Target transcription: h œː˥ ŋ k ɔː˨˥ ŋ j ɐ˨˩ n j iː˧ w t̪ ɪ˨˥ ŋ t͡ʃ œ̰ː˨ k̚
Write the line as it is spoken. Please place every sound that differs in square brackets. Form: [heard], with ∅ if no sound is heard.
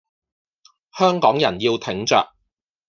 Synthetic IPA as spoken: h œː˥ ŋ k ɔː˨˥ ŋ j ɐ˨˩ n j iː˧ w [t̪ʰ] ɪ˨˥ ŋ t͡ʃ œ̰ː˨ k̚